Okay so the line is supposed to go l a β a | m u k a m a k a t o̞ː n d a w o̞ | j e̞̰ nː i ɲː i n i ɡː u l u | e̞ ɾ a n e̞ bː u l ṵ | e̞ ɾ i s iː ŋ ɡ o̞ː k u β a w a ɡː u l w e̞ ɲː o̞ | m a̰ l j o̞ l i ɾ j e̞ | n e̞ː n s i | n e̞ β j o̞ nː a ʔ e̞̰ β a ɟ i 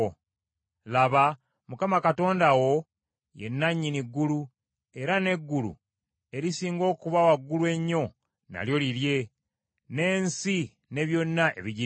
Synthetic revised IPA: l a β a | m u k a m a k a t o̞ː n d a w o̞ | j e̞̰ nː a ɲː i n i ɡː u l u | e̞ ɾ a n e̞ ɡː u l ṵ | e̞ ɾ i s iː ŋ ɡ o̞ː k u β a w a ɡː u l w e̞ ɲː o̞ | n a̰ l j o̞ l i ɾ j e̞ | n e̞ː n s i | n e̞ β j o̞ nː a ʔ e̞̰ β i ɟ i